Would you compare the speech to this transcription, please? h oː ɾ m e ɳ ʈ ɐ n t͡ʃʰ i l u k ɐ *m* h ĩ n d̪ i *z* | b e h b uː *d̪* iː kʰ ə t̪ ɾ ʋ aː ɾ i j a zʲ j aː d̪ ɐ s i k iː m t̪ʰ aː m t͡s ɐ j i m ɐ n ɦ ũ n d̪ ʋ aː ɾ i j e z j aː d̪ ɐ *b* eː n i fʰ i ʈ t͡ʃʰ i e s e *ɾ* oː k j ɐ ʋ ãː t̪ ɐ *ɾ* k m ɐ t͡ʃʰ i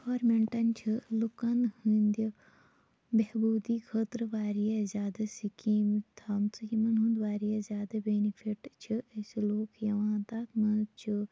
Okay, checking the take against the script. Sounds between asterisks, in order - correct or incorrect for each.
incorrect, incorrect, correct, correct, incorrect, incorrect

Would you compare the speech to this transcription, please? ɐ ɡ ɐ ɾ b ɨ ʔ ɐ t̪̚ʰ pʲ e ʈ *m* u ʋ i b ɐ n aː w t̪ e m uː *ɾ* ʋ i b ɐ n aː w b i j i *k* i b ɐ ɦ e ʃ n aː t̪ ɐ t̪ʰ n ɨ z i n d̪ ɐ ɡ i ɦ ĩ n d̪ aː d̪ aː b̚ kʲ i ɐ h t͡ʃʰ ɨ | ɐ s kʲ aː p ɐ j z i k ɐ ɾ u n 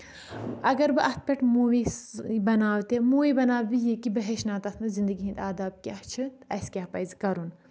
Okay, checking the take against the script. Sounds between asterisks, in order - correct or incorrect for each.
correct, incorrect, correct

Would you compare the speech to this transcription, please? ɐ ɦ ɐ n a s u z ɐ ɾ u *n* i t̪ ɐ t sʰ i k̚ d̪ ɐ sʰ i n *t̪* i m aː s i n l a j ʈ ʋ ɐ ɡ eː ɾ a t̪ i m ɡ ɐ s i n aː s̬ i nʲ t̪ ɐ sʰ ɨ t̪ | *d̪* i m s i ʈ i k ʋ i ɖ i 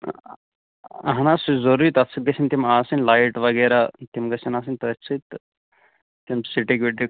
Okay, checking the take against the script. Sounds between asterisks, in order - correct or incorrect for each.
incorrect, correct, incorrect

